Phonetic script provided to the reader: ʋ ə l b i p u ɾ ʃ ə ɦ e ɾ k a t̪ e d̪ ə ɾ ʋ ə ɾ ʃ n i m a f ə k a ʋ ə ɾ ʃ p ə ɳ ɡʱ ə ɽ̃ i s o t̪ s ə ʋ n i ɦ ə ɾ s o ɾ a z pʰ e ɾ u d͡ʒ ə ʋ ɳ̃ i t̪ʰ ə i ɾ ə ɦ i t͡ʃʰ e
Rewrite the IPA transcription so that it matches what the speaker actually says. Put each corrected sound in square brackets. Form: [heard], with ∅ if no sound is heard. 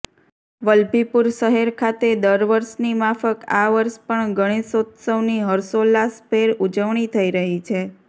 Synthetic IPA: ʋ ə l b i p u ɾ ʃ ə ɦ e ɾ [kʰ] a t̪ e d̪ ə ɾ ʋ ə ɾ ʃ n i m a f ə k a ʋ ə ɾ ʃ p ə ɳ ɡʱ ə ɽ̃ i s o t̪ s ə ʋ n i ɦ ə ɾ s o [l] a [s] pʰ e ɾ u d͡ʒ ə ʋ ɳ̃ i t̪ʰ ə i ɾ ə ɦ i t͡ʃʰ e